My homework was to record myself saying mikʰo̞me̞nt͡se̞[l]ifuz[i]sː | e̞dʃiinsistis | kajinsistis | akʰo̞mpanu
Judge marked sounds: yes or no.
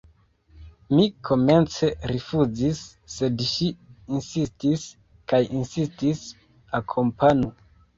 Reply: no, yes

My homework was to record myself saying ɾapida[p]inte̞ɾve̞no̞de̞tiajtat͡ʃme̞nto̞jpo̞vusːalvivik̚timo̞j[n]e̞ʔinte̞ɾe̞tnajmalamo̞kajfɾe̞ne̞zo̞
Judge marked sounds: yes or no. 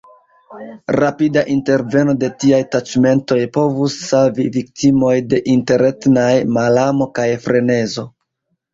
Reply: no, no

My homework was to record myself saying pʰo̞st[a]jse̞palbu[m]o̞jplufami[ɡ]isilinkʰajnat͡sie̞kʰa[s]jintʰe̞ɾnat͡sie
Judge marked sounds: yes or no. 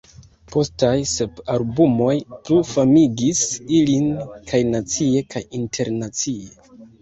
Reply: yes, yes, yes, no

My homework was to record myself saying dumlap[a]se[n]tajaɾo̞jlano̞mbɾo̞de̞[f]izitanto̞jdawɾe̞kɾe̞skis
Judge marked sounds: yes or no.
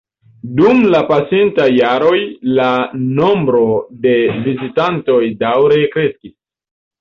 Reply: yes, yes, no

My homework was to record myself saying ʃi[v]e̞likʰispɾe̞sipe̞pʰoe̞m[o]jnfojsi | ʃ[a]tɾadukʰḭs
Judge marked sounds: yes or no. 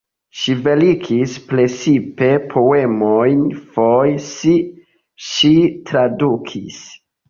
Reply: yes, yes, no

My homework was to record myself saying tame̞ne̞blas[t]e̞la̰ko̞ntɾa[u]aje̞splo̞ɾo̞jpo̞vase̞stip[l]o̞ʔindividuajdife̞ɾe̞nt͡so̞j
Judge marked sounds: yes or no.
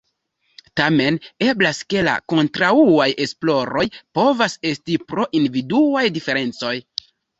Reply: no, yes, no

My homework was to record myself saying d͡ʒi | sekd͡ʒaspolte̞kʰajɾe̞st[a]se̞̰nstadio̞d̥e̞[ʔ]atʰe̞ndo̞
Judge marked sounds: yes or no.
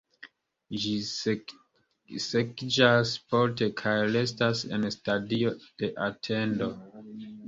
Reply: yes, yes

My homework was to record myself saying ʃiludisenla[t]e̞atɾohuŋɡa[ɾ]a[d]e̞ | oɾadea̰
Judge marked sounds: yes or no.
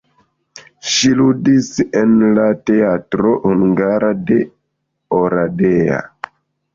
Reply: yes, yes, yes

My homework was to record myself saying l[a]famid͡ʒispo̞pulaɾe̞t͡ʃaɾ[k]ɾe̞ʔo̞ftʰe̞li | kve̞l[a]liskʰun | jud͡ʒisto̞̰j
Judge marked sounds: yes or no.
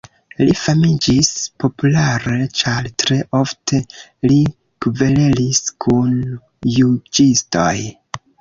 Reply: no, no, no

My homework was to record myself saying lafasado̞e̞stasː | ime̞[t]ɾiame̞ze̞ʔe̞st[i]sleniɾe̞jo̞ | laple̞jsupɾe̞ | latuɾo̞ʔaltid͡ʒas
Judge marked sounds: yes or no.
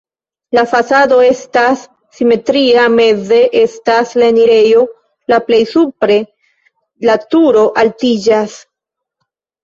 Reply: yes, no

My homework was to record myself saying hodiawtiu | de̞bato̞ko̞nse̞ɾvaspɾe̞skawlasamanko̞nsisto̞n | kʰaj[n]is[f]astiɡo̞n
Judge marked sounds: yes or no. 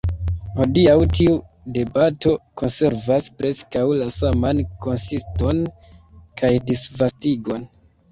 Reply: no, no

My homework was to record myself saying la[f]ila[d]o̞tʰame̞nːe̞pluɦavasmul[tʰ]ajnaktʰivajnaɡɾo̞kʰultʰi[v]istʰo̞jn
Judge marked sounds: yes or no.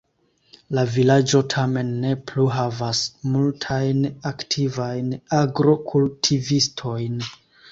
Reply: no, no, yes, yes

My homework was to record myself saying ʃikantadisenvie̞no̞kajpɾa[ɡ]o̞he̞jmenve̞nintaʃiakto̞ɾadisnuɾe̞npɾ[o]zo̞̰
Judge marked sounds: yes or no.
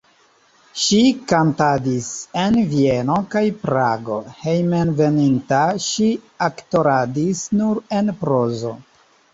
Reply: yes, yes

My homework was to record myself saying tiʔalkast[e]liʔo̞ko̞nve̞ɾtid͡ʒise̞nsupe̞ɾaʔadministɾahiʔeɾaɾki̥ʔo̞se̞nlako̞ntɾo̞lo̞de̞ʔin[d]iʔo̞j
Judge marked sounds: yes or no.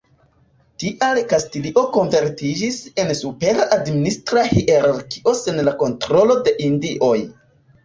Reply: no, yes

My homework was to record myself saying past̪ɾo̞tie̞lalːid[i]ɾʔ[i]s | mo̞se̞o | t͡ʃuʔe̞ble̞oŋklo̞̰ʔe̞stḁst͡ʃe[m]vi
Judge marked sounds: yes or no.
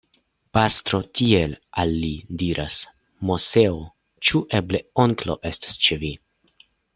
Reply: yes, no, no

